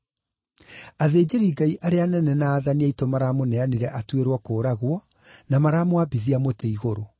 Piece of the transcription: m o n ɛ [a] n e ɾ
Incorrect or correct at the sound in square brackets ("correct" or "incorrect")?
correct